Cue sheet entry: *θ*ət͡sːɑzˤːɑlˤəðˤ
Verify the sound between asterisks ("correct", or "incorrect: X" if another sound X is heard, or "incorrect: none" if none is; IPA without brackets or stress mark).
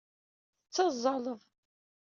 correct